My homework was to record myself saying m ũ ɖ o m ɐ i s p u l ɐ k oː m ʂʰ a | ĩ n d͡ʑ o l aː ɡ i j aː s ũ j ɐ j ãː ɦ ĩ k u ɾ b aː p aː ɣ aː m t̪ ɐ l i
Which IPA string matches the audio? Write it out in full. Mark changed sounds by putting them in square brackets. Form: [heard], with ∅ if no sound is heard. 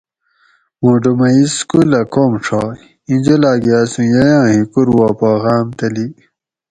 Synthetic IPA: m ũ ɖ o m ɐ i s [k] u l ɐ k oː m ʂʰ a | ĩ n d͡ʑ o l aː ɡ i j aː s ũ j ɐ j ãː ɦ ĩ k u ɾ [w] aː p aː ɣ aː m t̪ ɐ l i